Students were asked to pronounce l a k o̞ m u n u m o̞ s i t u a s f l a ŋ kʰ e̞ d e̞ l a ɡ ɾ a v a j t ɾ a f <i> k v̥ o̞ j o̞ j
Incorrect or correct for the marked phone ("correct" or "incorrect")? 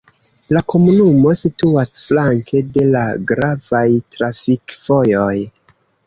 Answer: correct